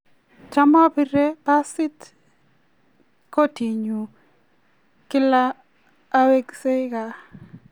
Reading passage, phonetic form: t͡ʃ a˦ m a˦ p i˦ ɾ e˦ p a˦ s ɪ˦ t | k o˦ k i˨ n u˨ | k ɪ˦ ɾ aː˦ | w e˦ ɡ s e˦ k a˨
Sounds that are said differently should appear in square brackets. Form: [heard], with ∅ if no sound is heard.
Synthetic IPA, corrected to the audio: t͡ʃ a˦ m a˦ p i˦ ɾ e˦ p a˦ s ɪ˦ t | k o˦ [t] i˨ [ɲ] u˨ | k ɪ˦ [l] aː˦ | w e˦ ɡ s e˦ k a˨

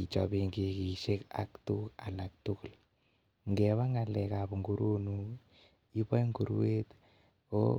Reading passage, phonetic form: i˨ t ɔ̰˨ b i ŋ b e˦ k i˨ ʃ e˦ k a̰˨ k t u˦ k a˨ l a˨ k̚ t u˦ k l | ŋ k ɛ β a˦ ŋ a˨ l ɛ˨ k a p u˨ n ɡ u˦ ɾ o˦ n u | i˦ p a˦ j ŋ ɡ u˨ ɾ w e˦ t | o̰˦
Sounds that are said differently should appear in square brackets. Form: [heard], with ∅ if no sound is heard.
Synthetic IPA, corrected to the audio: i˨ [t͡ʃ] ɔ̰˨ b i ŋ [ɡ] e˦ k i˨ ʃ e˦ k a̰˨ k t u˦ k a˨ l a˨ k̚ t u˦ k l | ŋ [ɡ] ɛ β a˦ ŋ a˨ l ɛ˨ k a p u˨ [ŋ] ɡ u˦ ɾ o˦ n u | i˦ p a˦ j ŋ ɡ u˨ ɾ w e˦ t | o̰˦

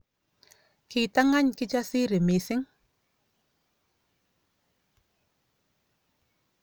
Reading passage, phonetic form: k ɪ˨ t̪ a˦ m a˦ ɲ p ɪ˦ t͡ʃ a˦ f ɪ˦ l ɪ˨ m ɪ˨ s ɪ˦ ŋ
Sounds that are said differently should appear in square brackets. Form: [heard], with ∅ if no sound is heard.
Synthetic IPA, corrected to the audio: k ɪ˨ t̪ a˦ [ŋ] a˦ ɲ [k] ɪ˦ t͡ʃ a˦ [s] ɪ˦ [ɾ] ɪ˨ m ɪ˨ s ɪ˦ ŋ

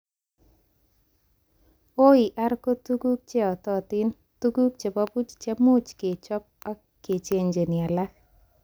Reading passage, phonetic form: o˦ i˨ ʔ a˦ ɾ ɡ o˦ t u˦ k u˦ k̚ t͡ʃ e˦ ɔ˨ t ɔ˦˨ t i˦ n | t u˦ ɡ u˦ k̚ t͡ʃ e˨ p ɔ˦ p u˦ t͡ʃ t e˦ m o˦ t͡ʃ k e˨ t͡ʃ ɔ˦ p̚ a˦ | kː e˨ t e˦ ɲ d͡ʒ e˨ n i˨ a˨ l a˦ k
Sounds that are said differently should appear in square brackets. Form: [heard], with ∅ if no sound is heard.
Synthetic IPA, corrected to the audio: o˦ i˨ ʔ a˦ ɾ [k] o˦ t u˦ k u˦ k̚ t͡ʃ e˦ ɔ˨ t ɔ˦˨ t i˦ n | t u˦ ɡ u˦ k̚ t͡ʃ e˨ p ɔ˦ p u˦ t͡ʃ [t͡ʃ] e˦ m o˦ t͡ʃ k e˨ t͡ʃ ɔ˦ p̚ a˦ | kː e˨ [t͡ʃ] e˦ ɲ d͡ʒ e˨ n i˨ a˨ l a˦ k

